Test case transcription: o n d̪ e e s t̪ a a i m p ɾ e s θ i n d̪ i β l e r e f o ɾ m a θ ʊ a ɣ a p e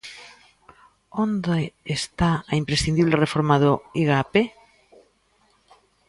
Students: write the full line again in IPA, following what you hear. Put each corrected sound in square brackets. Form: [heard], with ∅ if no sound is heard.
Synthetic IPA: o n d̪ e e s t̪ a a i m p ɾ e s θ i n d̪ i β l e r e f o ɾ m a [ð] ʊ [i] ɣ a p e